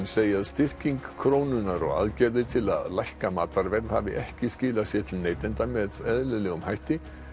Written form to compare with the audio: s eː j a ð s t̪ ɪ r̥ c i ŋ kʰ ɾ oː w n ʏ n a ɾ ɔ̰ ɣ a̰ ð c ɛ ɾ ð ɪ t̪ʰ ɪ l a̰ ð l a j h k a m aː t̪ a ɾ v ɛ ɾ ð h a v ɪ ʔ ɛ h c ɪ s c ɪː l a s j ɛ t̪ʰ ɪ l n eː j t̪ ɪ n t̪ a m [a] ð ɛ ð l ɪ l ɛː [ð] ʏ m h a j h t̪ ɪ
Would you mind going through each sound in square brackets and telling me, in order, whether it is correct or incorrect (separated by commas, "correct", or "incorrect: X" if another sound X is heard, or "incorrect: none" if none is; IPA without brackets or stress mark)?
incorrect: ɛ, incorrect: ɣ